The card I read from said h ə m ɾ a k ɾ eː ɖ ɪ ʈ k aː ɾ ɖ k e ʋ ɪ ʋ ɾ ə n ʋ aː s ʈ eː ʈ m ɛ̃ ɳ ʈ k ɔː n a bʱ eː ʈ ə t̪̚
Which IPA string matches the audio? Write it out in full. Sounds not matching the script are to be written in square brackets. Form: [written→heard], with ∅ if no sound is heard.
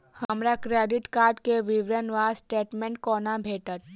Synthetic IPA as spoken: h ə m ɾ a k ɾ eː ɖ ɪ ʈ k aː ɾ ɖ k e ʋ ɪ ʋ ɾ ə n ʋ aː s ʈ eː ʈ m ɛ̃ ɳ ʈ k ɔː n a bʱ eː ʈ ə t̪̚